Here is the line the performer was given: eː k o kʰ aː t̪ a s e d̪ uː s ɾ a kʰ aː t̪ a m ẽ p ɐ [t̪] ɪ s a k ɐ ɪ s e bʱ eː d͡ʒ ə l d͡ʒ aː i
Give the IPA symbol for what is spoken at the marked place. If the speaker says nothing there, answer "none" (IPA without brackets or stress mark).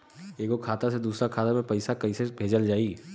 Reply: none